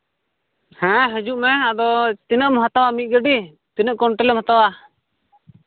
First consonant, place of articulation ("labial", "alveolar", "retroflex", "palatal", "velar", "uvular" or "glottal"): glottal